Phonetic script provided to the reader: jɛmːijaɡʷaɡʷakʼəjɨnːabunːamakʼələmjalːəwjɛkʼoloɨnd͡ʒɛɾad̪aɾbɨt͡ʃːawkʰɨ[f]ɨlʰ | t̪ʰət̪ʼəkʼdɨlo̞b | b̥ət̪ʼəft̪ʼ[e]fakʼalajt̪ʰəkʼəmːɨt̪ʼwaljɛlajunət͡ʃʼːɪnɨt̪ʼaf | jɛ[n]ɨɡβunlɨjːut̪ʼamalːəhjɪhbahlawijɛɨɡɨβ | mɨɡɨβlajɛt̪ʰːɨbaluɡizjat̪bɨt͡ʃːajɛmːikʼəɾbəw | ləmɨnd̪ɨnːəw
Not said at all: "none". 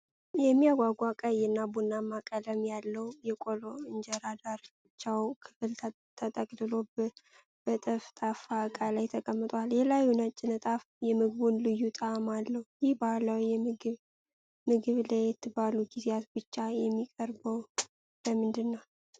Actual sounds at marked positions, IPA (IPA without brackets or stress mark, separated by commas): f, a, m